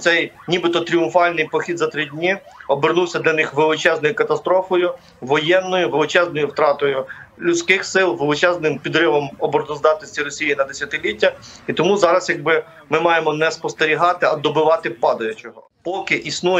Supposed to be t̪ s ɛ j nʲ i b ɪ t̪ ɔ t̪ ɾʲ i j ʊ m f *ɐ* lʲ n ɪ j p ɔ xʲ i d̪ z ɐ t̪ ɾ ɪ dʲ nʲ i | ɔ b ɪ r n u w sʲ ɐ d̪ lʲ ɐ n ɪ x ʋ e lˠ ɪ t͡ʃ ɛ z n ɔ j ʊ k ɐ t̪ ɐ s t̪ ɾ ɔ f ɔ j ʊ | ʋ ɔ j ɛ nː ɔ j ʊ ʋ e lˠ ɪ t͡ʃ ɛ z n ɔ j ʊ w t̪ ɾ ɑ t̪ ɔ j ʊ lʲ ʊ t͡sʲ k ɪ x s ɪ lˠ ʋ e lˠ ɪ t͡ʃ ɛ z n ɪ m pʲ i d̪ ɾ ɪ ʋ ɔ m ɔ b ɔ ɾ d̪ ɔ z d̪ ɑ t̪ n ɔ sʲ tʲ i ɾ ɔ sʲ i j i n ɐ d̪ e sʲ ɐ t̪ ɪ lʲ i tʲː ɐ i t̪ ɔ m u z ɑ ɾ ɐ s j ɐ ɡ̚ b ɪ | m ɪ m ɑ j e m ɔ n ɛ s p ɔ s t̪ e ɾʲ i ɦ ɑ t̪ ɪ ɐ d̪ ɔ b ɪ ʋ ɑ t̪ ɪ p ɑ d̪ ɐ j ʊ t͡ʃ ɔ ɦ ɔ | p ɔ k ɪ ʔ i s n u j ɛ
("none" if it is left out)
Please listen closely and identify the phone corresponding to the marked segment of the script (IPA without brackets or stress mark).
ɑ